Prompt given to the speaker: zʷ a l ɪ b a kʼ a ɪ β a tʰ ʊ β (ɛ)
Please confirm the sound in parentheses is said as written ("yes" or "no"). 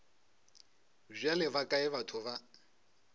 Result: no